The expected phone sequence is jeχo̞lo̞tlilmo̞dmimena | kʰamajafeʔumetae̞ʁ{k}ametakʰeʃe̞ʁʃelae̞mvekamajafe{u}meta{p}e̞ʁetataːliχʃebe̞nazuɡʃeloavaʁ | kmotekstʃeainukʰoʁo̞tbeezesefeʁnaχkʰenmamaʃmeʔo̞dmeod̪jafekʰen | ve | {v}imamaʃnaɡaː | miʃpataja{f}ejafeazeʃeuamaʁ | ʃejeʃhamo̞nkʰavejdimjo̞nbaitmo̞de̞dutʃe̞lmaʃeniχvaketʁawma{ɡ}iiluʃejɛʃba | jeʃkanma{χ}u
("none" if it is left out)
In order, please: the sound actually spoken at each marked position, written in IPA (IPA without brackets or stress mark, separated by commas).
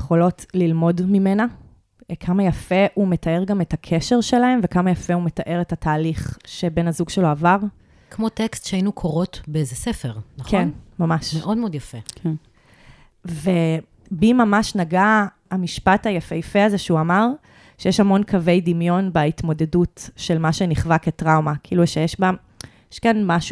ɡ, u, ʔ, b, f, k, ʃ